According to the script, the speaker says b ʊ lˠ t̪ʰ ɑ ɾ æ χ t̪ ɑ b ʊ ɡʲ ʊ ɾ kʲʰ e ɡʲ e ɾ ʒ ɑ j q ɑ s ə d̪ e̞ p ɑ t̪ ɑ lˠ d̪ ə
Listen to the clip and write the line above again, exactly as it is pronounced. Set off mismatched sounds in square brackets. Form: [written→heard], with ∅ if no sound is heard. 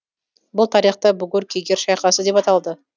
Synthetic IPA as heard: b ʊ lˠ t̪ʰ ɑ ɾ [æ→i] χ t̪ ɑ b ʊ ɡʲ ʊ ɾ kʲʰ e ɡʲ e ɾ [ʒ→ʃ] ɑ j q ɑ s ə d̪ e̞ p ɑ t̪ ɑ lˠ d̪ ə